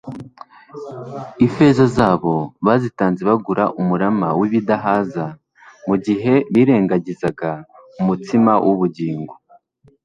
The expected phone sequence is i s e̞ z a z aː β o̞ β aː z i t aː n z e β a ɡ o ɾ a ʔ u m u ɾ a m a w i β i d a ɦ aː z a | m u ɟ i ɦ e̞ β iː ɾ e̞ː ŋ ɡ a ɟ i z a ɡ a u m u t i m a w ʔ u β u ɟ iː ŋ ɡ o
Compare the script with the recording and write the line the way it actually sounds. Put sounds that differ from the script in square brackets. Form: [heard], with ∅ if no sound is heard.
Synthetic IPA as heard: i [f] e̞ z a z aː β o̞ β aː z i t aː n z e β a ɡ [u] ɾ a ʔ u m u ɾ a m a w i β i d a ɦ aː z a | m u ɟ i ɦ e̞ β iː ɾ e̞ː ŋ ɡ a ɟ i z a ɡ a u m u t i m a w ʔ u β u ɟ iː ŋ ɡ o